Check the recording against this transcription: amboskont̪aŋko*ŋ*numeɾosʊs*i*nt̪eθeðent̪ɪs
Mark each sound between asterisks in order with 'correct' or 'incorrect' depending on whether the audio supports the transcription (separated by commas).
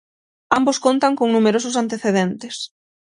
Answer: correct, incorrect